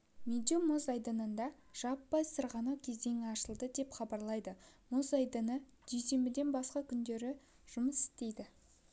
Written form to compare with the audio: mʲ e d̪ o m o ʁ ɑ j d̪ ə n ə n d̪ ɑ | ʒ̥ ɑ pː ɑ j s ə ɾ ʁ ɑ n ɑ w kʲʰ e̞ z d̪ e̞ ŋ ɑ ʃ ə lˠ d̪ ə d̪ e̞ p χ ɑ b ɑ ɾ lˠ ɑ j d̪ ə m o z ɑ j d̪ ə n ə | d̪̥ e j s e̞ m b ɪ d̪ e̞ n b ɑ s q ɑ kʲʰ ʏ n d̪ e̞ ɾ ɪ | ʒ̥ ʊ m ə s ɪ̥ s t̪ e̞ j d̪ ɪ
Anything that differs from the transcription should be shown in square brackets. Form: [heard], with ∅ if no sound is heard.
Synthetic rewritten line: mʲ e d̪ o m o [z] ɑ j d̪ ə n ə n d̪ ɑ | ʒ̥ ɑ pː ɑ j s ə ɾ ʁ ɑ n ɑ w kʲʰ e̞ z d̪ e̞ ŋ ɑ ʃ ə lˠ d̪ ə d̪ e̞ p χ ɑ b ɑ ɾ lˠ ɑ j d̪ ə m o z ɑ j d̪ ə n ə | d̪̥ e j s e̞ m b ɪ d̪ e̞ n b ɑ s q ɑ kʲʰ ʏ n d̪ e̞ ɾ ɪ | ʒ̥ ʊ m ə s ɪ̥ s t̪ e̞ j d̪ ɪ